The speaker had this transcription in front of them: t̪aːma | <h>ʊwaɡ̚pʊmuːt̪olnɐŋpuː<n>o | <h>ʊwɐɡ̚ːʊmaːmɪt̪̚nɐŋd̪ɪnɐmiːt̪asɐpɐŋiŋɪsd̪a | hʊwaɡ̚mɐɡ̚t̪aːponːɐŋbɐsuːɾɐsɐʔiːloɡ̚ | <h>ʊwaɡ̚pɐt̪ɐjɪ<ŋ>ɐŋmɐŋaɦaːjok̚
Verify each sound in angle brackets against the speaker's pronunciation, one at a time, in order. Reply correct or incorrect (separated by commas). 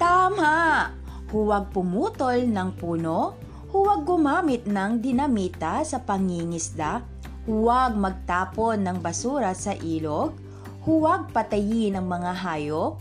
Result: correct, correct, correct, correct, incorrect